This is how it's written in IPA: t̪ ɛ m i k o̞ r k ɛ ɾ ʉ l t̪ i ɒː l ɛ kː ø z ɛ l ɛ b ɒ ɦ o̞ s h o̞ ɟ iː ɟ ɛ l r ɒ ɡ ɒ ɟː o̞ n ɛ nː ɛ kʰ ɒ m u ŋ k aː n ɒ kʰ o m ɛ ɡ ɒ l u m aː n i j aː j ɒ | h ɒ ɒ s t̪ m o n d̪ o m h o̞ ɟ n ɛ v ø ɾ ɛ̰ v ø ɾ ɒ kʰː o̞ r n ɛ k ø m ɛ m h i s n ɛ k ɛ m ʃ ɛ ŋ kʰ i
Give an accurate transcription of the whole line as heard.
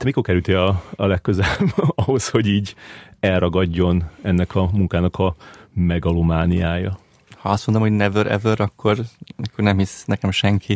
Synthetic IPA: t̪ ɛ m i k o̞ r k ɛ ɾ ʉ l t̪ i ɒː l ɛ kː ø z ɛ l ɛ b ɒ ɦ o̞ s h o̞ ɟ iː ɟ ɛ l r ɒ ɡ ɒ ɟː o̞ n ɛ nː ɛ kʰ ɒ m u ŋ k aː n ɒ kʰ ɒ m ɛ ɡ ɒ l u m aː n i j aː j ɒ | h ɒ ɒ s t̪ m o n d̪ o m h o̞ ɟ n ɛ v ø ɾ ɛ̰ v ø ɾ ɒ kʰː o̞ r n ɛ k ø n ɛ m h i s n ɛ k ɛ m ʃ ɛ ŋ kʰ i